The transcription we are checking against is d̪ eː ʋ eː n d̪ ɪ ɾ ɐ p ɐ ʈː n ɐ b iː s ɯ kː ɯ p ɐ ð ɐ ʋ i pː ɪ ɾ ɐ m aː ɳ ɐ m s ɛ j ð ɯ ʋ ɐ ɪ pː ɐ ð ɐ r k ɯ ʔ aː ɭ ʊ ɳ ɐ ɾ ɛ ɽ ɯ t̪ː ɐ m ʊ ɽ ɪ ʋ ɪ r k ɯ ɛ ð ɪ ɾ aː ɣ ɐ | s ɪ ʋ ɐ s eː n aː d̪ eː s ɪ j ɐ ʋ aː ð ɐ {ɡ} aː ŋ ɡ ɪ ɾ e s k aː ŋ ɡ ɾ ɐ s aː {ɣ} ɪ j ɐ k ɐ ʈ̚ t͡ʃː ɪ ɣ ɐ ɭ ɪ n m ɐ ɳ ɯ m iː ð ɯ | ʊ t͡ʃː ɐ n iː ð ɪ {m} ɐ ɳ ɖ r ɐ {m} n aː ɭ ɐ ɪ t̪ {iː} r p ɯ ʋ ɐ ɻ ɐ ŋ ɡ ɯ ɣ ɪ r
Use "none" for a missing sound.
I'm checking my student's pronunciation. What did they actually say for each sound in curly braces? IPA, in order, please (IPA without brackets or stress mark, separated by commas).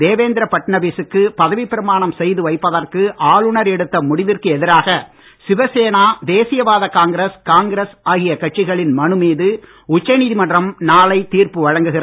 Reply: k, ɣ, m, m, iː